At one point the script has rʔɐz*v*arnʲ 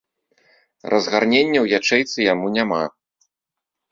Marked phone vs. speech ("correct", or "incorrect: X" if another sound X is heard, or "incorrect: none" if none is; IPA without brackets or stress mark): incorrect: ɣ